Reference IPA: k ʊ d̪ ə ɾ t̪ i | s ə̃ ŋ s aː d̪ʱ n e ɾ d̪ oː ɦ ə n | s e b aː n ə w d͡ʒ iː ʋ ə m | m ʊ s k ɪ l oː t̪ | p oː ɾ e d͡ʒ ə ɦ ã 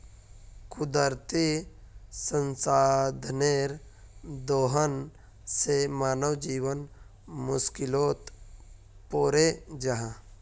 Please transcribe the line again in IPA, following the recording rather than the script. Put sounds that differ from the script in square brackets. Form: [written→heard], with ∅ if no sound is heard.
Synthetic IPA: k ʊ d̪ ə ɾ t̪ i | s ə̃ [ŋ→n] s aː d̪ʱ n e ɾ d̪ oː ɦ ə n | s e [b→m] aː n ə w d͡ʒ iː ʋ ə [m→n] | m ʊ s k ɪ l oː t̪ | p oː ɾ e d͡ʒ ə ɦ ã